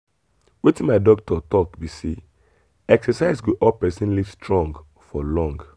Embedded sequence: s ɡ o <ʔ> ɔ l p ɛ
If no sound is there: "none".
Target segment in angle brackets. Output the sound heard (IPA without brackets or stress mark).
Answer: ʔ